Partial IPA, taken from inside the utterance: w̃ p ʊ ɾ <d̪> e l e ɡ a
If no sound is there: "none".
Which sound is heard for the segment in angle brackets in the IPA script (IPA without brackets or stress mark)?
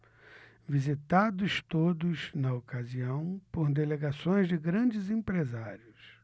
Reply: d̪